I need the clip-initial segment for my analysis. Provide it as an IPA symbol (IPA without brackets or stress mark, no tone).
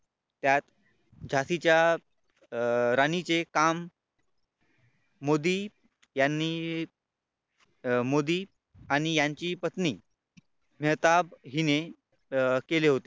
t̪